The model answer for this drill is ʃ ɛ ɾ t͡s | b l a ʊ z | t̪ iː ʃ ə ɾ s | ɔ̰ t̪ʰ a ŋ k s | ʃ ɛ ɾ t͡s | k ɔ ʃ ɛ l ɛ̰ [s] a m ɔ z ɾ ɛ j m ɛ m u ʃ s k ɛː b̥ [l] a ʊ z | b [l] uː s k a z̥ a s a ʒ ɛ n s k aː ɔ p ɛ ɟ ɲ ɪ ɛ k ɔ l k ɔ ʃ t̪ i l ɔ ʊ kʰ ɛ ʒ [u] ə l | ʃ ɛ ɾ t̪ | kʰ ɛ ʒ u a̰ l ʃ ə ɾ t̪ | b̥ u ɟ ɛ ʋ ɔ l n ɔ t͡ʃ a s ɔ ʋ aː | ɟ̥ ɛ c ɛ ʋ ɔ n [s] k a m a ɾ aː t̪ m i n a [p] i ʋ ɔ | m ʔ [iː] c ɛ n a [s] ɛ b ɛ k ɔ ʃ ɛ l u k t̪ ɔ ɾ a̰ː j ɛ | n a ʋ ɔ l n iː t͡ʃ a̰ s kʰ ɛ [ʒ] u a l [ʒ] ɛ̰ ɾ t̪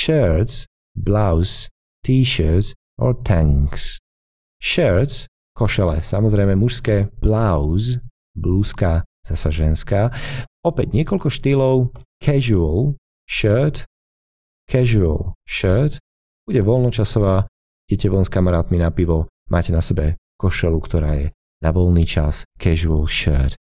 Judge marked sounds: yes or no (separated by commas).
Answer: yes, yes, yes, yes, yes, yes, no, yes, yes, no